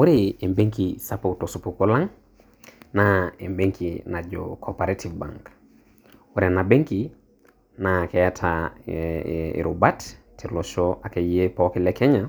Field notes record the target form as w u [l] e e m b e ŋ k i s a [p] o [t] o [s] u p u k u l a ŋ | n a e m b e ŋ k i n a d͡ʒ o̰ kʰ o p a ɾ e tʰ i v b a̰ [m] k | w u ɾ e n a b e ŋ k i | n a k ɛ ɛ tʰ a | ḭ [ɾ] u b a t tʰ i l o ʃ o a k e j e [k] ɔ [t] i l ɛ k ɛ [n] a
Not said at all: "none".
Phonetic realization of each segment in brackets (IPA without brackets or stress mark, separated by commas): ɾ, p, t, s, ŋ, ɾ, p, k, ɲ